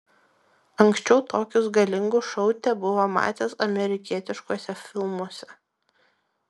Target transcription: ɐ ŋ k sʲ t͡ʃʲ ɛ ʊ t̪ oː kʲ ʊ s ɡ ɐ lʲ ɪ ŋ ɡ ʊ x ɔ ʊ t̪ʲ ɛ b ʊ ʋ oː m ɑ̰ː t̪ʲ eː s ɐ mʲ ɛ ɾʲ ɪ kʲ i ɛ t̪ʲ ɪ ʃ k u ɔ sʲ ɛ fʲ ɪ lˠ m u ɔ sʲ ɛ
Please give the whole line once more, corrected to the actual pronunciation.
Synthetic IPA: ɐ ŋ k sʲ t͡ʃʲ ɛ ʊ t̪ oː kʲ ʊ s ɡ ɐ lʲ ɪ ŋ ɡ ʊ ʃ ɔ ʊ t̪ʲ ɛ b ʊ ʋ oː m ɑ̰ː t̪ʲ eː s ɐ mʲ ɛ ɾʲ ɪ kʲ i ɛ t̪ʲ ɪ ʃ k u ɔ sʲ ɛ fʲ ɪ lˠ m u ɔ sʲ ɛ